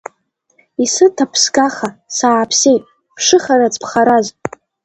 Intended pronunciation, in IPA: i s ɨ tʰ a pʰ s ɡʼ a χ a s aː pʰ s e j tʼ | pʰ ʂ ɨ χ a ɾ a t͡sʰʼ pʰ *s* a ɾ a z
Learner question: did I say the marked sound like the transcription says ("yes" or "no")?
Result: no